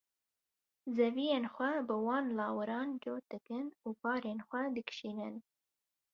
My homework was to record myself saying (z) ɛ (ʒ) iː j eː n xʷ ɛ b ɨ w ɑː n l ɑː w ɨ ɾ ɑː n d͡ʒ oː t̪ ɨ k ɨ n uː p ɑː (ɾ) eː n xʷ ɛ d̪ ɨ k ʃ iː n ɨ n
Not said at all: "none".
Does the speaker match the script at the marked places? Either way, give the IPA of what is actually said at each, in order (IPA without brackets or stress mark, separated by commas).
z, v, ɾ